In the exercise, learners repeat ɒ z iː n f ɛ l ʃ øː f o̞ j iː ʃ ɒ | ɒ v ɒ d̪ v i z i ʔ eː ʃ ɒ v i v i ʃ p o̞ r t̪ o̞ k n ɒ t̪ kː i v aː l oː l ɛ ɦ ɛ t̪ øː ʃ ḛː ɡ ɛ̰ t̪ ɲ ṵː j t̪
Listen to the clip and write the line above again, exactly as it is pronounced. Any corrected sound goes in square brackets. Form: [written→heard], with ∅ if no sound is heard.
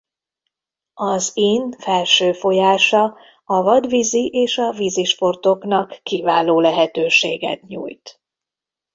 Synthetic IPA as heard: ɒ z iː n f ɛ l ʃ øː f o̞ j [iː→aː] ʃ ɒ | ɒ v ɒ d̪ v i z i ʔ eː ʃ ɒ v i [v→z] i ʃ p o̞ r t̪ o̞ k n ɒ [t̪→∅] kː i v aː l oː l ɛ ɦ ɛ t̪ øː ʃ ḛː ɡ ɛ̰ t̪ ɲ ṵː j t̪